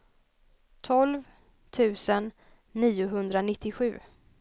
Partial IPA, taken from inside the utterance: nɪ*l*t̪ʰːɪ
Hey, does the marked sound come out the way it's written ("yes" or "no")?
no